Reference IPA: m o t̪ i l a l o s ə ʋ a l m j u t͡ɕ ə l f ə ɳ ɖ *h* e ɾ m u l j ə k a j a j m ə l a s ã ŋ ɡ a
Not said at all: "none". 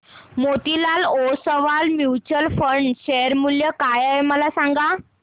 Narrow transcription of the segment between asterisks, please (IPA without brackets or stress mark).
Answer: ɕ